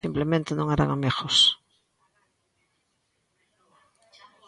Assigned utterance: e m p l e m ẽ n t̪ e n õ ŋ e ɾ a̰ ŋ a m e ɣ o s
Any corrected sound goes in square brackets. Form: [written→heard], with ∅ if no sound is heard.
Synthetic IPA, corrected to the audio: [e→i] m p l e m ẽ n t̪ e n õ ŋ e ɾ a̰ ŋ a m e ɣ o s